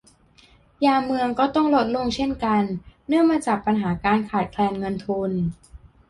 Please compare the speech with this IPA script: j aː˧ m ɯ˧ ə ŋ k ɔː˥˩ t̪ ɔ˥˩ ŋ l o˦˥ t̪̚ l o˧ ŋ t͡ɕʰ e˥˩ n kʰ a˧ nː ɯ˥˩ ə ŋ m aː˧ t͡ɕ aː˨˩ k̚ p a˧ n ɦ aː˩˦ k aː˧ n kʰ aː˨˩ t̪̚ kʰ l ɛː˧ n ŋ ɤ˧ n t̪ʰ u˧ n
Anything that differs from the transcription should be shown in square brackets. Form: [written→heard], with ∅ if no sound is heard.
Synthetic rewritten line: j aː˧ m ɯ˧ ə ŋ k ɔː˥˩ t̪ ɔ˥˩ ŋ l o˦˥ t̪̚ l o˧ ŋ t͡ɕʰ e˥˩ n [kʰ→k] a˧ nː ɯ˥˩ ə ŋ m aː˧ t͡ɕ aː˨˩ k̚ p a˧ n ɦ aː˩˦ k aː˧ n kʰ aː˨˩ t̪̚ kʰ l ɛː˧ n ŋ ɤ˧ n t̪ʰ u˧ n